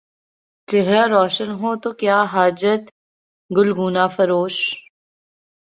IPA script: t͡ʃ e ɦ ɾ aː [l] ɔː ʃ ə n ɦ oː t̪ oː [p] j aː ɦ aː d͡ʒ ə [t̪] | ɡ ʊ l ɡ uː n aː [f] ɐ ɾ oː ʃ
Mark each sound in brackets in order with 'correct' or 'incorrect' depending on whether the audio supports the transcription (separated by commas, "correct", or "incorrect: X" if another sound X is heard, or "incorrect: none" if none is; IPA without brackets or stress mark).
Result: incorrect: ɾ, incorrect: k, correct, correct